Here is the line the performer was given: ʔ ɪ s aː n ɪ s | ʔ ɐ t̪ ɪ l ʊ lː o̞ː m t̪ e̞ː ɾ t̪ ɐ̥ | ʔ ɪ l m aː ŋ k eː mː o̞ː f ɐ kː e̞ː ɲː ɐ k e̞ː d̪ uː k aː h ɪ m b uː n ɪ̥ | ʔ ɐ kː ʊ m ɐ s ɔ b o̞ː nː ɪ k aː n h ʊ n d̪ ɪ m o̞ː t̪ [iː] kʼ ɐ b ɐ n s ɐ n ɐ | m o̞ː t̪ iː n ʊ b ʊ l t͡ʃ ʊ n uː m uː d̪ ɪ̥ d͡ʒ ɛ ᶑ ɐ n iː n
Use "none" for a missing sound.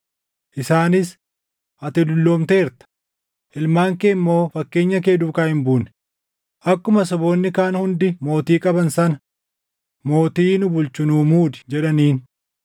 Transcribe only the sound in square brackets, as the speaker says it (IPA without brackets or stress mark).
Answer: iː